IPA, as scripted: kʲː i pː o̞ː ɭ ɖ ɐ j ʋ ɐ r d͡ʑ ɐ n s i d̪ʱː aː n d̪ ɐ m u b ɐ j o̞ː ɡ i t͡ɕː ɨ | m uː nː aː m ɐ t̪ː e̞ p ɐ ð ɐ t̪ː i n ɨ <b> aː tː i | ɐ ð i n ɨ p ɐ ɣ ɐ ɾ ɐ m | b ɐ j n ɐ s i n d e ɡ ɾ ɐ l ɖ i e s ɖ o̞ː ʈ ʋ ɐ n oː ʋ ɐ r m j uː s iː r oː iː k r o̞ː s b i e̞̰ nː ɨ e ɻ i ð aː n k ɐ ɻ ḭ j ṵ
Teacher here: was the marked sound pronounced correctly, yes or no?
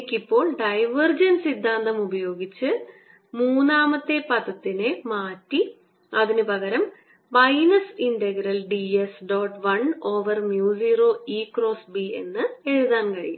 no